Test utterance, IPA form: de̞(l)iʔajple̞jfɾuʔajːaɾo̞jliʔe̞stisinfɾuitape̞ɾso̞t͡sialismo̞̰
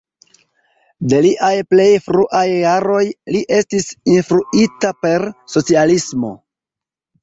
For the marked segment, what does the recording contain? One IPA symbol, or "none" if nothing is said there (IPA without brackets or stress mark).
l